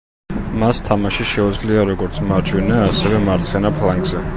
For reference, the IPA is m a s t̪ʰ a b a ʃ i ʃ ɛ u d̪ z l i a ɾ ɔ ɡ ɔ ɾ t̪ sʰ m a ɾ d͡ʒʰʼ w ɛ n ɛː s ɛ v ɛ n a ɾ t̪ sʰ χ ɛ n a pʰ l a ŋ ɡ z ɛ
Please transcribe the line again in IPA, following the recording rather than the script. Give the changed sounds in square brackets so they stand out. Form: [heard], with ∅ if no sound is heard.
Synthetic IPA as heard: m a s t̪ʰ a [m] a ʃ i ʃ ɛ u d̪ z l i a ɾ ɔ ɡ ɔ ɾ t̪ sʰ m a ɾ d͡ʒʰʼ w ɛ n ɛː s ɛ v ɛ [m] a ɾ t̪ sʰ χ ɛ n a pʰ l a ŋ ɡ z ɛ